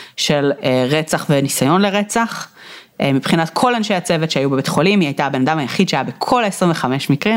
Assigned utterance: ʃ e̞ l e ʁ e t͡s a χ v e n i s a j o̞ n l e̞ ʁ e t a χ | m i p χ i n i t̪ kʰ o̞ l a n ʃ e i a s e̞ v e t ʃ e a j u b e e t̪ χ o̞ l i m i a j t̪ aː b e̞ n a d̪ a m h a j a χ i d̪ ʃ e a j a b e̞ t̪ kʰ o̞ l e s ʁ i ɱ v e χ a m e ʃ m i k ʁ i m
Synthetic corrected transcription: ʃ e̞ l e ʁ e t͡s a χ v e n i s a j o̞ n l e̞ ʁ e t͡s a χ | m i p χ i n a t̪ kʰ o̞ l a n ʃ e j a t͡s e̞ v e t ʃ e a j u b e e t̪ χ o̞ l i m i a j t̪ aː b e̞ n a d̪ a m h a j a χ i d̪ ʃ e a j a b e̞ kʰ o̞ l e s ʁ i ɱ v e χ a m e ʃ m i k ʁ i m